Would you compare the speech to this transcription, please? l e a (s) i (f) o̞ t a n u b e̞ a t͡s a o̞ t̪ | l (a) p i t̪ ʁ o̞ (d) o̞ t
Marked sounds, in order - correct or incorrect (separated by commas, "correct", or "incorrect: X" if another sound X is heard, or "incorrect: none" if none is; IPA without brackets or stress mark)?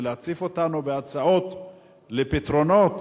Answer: incorrect: t͡s, correct, incorrect: e, incorrect: n